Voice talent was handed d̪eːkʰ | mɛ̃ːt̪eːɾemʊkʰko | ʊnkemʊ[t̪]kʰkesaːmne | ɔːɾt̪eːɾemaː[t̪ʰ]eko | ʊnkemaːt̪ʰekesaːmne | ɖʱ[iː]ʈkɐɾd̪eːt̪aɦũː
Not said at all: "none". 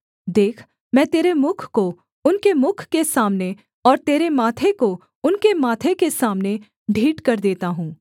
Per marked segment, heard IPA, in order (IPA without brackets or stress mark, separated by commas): none, t̪ʰ, iː